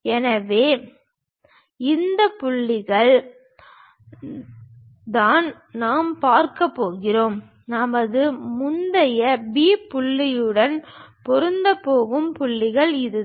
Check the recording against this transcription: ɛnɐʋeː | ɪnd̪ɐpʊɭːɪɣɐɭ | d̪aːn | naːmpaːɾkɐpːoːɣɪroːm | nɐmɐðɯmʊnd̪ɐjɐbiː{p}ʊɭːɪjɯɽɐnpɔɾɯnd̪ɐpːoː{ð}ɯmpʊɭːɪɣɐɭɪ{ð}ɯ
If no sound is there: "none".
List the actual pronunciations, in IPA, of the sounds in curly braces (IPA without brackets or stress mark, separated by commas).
p, ɣ, ð